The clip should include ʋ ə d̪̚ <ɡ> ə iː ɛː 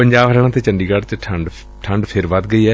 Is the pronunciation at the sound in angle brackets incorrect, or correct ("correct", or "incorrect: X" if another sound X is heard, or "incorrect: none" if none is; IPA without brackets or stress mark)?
correct